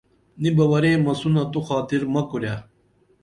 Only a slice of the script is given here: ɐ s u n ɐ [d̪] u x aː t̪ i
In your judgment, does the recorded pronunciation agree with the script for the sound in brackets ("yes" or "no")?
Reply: no